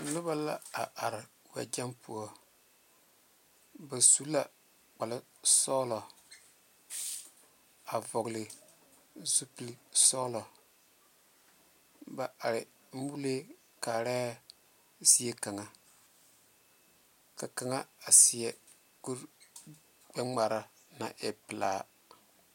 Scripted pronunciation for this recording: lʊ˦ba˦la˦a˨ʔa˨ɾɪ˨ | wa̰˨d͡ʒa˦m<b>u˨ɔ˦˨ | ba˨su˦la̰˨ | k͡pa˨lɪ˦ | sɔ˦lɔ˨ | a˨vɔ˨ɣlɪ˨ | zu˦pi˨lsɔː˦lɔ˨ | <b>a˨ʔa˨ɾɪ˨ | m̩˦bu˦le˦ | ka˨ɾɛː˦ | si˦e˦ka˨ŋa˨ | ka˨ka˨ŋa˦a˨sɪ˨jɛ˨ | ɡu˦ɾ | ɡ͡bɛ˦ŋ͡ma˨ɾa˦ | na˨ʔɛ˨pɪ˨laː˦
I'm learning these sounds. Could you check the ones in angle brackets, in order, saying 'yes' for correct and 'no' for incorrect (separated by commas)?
no, yes